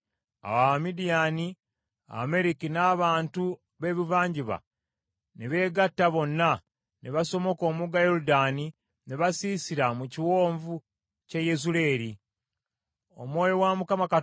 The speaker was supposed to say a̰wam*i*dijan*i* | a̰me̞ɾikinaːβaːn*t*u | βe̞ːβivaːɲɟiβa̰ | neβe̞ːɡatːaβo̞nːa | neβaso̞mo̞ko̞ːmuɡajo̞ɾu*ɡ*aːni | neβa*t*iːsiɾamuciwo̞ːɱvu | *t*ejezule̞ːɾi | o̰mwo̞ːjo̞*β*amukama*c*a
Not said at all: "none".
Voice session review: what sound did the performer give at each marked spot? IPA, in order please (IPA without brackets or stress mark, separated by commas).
i, i, t, d, s, c, w, k